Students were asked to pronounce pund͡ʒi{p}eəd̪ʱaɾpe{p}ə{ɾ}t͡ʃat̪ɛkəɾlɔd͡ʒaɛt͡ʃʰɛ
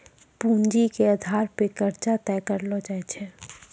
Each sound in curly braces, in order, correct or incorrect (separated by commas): incorrect, incorrect, correct